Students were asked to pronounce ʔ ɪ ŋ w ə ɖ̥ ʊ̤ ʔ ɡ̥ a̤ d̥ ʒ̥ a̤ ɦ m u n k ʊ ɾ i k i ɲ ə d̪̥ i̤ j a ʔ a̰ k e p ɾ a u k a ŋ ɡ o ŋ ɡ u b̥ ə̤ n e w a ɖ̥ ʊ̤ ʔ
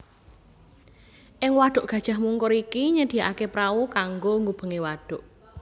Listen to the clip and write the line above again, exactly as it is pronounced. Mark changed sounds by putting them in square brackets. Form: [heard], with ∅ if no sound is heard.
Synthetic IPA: ʔ ɪ ŋ w [a] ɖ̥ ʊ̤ ʔ ɡ̥ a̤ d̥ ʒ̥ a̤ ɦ m u [ŋ] k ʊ ɾ i k i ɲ ə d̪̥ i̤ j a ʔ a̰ k e p ɾ a u k a ŋ ɡ o ŋ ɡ u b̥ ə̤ [ŋ] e w a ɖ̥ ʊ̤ ʔ